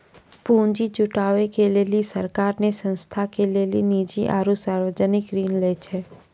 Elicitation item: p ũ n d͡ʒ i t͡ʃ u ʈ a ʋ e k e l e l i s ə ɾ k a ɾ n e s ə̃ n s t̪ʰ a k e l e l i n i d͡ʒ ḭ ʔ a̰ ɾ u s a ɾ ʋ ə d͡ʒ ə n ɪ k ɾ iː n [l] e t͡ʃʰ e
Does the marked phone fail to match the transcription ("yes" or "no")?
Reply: no